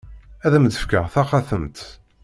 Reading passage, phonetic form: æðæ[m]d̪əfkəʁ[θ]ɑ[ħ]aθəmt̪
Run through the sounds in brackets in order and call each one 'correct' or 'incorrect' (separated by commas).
correct, correct, incorrect